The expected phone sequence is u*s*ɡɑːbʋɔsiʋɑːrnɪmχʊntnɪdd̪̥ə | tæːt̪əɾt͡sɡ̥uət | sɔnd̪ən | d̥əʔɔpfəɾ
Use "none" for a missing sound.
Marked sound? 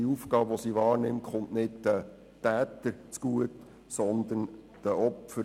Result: f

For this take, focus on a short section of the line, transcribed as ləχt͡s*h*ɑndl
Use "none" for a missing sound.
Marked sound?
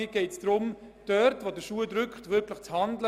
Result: h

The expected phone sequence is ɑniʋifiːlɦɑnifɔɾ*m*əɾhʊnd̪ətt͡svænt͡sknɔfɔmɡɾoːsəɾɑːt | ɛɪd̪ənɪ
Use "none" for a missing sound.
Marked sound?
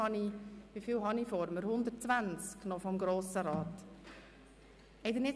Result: m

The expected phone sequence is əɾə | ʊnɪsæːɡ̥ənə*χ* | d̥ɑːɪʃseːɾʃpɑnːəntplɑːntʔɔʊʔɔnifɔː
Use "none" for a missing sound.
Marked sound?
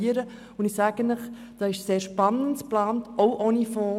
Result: χ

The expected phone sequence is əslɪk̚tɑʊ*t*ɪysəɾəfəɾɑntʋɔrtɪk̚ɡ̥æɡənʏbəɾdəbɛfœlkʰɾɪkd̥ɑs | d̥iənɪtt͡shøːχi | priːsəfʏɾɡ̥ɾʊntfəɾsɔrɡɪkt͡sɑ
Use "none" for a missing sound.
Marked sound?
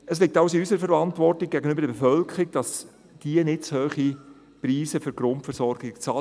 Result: s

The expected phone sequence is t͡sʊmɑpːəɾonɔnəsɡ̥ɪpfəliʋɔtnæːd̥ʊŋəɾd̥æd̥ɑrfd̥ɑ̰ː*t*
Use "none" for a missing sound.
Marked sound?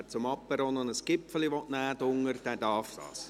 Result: s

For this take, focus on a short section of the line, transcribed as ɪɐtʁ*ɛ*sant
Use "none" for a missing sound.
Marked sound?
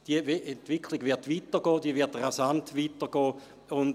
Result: a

